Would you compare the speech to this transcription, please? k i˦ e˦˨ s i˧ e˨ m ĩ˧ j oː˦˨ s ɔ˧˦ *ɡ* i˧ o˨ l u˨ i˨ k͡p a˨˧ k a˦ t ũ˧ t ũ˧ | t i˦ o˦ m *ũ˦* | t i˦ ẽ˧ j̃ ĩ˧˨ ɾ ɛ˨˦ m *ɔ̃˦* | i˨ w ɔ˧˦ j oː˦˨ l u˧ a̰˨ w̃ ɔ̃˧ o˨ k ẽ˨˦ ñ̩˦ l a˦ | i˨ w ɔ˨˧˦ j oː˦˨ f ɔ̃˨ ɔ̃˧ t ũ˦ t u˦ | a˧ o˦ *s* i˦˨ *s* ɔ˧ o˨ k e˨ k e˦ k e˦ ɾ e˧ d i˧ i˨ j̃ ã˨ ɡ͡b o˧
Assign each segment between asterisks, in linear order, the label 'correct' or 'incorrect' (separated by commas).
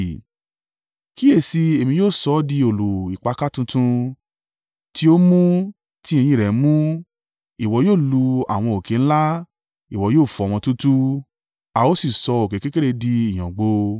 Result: incorrect, correct, incorrect, correct, correct